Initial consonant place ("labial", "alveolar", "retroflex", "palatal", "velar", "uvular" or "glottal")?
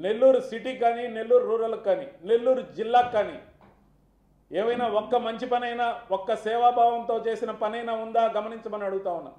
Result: alveolar